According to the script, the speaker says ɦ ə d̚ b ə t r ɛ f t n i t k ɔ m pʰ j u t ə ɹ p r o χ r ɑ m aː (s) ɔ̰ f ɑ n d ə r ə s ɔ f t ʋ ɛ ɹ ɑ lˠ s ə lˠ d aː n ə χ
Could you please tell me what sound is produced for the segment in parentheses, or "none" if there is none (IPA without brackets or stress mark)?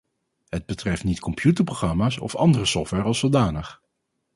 s